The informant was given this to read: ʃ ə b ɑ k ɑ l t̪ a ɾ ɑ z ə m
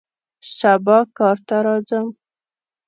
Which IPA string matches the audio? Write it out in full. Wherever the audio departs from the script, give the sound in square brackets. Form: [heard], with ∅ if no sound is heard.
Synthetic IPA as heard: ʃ [a] b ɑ k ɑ [ɾ] t̪ a ɾ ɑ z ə m